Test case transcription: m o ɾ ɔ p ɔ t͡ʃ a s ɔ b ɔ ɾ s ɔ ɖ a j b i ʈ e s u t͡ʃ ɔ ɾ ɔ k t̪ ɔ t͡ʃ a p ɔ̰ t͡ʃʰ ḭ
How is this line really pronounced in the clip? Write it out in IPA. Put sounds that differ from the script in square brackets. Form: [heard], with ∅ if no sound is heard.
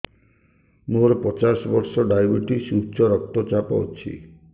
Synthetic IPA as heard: m o ɾ ɔ p ɔ t͡ʃ a s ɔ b ɔ ɾ s ɔ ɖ a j b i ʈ [i] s u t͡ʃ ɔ ɾ ɔ k t̪ ɔ t͡ʃ a p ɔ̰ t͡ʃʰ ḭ